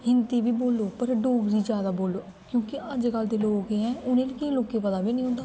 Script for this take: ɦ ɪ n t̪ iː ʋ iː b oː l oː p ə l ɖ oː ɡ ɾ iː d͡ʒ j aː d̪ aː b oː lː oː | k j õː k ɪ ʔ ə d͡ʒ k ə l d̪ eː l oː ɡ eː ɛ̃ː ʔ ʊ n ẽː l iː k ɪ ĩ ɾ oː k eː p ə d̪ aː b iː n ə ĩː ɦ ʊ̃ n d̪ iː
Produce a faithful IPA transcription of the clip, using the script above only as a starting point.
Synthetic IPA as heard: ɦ ɪ n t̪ iː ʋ iː b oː l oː p ə ɾ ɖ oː ɡ ɾ iː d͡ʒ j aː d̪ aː b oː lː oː | k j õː k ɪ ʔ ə d͡ʒ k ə l d̪ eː l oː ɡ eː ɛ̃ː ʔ ʊ n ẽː l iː k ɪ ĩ l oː k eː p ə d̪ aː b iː n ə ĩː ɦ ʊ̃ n d̪ aː